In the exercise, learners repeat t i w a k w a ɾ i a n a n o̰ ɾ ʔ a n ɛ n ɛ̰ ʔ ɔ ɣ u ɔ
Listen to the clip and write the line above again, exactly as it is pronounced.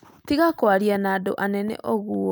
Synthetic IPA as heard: t i ɣ a k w a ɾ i a n a d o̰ ʔ a n ɛ n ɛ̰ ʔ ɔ ɣ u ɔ